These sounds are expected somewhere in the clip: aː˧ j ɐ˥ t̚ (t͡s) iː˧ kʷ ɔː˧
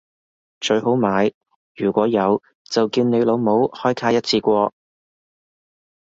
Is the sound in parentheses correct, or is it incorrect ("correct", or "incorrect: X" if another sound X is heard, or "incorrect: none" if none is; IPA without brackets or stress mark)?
incorrect: t͡sʰ